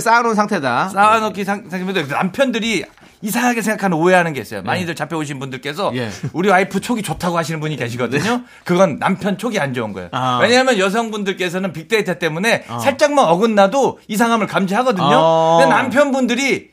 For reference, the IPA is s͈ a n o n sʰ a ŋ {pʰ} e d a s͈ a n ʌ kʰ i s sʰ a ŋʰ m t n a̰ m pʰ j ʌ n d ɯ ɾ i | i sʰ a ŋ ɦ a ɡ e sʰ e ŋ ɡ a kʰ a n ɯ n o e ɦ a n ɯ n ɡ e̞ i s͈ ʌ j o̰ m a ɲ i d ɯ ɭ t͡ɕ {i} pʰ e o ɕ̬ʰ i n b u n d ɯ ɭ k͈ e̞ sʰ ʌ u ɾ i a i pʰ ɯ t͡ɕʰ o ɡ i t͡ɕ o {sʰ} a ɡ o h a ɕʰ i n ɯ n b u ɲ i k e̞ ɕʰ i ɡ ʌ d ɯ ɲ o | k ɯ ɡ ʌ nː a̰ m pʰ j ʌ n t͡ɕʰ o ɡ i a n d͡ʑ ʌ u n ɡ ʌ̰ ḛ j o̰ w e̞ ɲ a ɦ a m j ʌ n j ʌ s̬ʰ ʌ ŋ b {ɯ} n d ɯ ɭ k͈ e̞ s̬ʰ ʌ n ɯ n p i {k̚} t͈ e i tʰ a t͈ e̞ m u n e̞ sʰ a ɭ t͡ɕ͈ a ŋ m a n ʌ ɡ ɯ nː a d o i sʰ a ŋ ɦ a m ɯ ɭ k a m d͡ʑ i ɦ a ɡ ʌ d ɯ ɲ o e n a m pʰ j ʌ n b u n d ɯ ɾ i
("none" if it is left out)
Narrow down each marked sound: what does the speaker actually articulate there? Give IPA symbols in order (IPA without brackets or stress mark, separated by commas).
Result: tʰ, a, tʰ, u, k̚